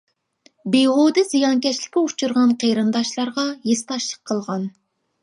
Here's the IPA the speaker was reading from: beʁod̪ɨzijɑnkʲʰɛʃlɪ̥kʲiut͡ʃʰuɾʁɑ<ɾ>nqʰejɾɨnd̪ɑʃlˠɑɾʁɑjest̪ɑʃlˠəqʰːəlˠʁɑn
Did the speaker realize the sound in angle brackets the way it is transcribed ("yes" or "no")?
no